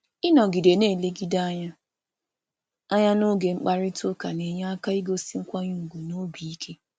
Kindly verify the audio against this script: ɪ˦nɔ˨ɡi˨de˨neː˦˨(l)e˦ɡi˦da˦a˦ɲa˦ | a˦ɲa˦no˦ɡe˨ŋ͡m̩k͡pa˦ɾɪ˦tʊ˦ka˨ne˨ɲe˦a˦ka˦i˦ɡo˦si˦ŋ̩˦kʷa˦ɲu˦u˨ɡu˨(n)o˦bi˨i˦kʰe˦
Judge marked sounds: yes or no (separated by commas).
yes, yes